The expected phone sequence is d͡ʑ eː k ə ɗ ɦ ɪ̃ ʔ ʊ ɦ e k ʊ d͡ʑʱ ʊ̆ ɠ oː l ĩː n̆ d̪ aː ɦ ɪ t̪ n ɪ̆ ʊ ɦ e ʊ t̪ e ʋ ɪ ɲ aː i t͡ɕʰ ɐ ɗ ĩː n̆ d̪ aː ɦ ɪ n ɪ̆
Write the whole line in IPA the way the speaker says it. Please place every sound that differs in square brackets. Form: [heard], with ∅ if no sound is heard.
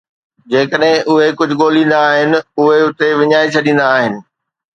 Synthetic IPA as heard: d͡ʑ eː k ə ɗ ɦ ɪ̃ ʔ ʊ ɦ e k ʊ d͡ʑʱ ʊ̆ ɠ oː l ĩː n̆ d̪ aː ɦ ɪ [∅] n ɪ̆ ʊ ɦ e ʊ t̪ e ʋ ɪ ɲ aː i t͡ɕʰ ɐ ɗ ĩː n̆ d̪ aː ɦ ɪ n ɪ̆